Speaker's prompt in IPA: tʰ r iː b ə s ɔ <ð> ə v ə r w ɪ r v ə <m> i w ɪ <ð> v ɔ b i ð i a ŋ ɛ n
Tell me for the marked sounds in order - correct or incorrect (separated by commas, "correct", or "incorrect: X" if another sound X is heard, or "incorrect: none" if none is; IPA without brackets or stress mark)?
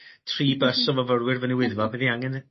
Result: incorrect: v, incorrect: n, correct